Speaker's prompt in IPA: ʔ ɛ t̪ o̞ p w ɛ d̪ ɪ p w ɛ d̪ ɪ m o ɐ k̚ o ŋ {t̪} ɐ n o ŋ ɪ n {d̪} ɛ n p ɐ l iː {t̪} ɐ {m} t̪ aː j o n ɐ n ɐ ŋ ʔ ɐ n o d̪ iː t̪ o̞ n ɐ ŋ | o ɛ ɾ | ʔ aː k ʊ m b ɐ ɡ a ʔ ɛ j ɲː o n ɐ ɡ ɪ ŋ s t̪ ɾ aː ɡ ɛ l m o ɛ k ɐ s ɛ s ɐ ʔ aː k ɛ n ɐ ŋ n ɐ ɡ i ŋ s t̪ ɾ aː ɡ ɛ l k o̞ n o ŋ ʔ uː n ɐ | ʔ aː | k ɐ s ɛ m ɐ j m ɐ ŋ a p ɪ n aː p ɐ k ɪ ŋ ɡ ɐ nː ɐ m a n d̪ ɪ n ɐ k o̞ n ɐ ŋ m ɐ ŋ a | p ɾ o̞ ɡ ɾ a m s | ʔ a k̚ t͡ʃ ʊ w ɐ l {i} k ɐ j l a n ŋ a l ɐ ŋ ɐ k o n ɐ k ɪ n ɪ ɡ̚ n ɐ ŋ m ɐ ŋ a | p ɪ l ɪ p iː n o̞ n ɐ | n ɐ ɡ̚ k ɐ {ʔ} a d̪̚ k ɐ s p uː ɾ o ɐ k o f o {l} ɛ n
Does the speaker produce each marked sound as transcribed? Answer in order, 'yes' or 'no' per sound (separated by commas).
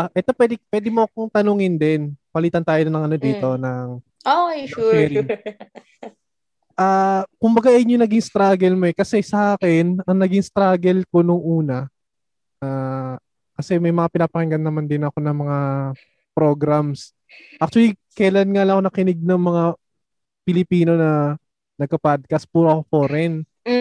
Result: yes, yes, yes, no, yes, no, no